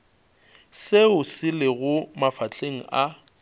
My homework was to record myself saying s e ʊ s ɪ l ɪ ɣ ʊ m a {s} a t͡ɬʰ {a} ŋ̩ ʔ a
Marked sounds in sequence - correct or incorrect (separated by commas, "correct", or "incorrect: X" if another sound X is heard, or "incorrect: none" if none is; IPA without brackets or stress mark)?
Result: incorrect: f, incorrect: e